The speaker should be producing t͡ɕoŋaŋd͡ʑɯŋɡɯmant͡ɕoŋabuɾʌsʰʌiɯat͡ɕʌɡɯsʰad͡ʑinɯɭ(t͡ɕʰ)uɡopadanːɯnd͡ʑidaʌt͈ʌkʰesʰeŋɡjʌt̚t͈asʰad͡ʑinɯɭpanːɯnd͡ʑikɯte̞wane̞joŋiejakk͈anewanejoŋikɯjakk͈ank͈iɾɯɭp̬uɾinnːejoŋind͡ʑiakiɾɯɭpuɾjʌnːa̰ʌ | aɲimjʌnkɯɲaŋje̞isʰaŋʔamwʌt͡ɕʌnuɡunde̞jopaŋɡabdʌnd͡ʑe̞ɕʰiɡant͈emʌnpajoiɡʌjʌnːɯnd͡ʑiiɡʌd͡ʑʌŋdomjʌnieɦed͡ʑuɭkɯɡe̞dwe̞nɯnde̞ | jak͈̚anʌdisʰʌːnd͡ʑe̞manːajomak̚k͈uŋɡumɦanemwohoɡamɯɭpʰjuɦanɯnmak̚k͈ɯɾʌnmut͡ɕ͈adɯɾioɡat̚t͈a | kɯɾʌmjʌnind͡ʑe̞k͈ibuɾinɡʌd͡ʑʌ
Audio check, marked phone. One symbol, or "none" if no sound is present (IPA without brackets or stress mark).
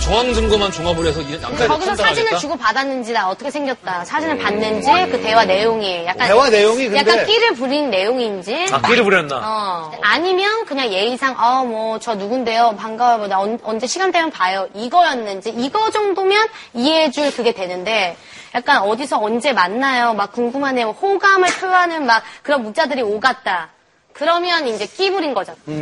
t͡ɕ